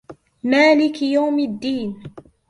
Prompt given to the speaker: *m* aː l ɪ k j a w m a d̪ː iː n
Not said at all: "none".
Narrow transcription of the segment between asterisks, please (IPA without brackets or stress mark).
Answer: m